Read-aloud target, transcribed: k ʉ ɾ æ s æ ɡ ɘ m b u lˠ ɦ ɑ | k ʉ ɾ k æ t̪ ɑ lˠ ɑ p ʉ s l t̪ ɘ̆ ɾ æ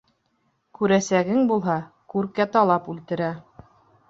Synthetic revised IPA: k ʉ ɾ æ s æ ɡ ɘ ŋ b u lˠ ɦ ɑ | k ʉ ɾ k æ t̪ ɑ lˠ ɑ p ʉ l t̪ ɘ̆ ɾ æ